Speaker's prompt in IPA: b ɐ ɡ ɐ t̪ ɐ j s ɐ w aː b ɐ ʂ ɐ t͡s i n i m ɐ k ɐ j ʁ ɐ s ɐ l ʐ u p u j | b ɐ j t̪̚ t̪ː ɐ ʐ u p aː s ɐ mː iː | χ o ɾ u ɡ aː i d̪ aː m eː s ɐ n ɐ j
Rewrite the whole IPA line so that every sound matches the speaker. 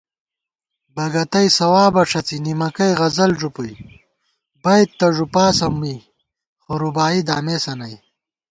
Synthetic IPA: b ɐ ɡ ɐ t̪ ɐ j s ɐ w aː b ɐ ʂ ɐ t͡s i n i m ɐ k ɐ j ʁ ɐ z ɐ l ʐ u p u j | b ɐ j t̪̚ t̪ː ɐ ʐ u p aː s ɐ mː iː | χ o ɾ u b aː i d̪ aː m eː s ɐ n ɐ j